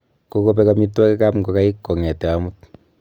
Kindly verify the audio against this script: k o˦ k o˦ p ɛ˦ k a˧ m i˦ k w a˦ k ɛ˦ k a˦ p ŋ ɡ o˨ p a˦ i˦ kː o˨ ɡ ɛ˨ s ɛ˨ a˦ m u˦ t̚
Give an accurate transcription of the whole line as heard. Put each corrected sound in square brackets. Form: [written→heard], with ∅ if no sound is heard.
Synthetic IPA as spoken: k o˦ k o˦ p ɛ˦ k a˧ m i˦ [k→t] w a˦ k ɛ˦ k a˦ p ŋ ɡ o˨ [p→k] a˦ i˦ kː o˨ [ɡ→ŋ] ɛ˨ [s→t] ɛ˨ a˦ m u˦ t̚